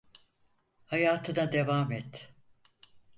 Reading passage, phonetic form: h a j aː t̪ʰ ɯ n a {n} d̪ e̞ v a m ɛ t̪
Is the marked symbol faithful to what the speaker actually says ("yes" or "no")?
no